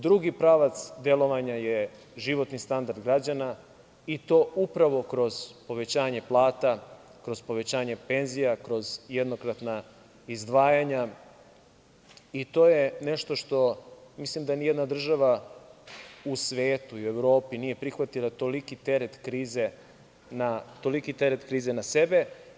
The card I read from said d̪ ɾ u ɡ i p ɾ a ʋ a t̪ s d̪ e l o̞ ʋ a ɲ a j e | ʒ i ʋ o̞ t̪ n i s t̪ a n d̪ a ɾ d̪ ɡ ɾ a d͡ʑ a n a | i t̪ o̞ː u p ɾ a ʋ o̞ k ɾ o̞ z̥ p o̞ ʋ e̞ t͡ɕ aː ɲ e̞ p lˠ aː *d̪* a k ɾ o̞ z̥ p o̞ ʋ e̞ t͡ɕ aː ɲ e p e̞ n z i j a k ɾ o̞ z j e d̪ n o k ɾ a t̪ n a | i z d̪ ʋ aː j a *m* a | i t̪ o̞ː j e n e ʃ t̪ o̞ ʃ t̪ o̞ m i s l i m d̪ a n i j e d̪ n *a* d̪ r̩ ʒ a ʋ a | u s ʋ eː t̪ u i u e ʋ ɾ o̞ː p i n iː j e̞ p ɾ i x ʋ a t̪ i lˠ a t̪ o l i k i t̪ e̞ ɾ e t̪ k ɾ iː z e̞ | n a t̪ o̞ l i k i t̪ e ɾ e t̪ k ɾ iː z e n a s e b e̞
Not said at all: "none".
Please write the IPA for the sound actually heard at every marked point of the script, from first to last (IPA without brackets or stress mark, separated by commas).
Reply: t̪, ɲ, a